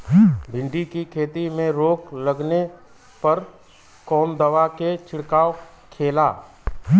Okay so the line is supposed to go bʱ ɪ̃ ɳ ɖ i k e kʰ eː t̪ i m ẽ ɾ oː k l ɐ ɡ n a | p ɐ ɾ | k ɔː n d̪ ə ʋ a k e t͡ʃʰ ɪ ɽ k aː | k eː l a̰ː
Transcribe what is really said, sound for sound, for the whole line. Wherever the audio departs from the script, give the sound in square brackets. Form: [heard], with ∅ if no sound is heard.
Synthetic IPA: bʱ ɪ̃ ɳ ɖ i k [i] kʰ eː t̪ i m ẽ ɾ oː k l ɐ ɡ n [e] | p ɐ ɾ | k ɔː n d̪ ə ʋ a k e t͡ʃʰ ɪ ɽ k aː | [kʰ] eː l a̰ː